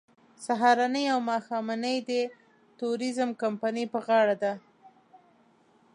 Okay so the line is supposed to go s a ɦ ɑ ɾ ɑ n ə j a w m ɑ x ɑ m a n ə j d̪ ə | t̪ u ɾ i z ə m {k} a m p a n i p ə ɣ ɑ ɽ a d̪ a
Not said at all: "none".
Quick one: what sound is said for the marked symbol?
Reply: k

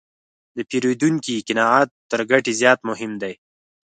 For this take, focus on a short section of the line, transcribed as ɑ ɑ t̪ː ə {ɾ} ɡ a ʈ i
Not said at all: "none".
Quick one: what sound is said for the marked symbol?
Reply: ɾ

